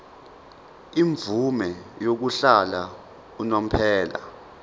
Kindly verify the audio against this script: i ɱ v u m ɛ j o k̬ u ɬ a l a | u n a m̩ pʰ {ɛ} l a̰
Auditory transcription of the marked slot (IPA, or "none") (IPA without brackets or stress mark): ɛː